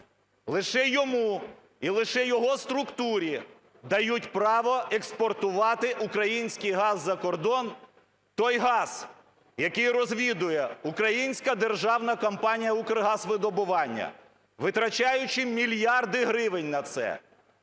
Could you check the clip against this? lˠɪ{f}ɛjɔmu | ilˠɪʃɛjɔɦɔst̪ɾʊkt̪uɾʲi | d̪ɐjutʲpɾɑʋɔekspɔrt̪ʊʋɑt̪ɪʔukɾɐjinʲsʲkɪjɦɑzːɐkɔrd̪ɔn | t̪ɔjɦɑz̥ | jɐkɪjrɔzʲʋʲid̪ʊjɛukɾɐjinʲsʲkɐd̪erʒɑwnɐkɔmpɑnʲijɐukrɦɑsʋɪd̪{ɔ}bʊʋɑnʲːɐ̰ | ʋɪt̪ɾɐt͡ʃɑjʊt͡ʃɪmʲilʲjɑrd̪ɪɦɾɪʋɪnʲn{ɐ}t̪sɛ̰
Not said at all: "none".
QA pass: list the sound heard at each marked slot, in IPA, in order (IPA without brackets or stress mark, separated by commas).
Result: ʃ, ɔ, ɐ